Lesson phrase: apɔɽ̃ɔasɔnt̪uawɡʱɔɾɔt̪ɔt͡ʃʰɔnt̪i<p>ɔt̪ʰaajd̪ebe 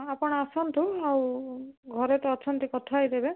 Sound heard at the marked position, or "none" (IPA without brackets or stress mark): k